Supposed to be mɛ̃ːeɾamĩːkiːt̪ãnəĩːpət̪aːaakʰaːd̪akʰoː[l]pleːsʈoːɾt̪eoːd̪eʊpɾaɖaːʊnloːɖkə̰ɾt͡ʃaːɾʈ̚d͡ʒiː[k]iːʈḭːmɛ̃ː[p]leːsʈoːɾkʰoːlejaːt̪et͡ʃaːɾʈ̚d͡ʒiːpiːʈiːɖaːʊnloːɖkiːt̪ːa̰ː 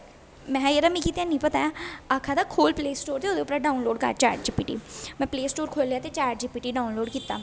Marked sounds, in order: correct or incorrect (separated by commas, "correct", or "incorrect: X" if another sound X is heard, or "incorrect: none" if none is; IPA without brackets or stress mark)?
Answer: correct, incorrect: p, correct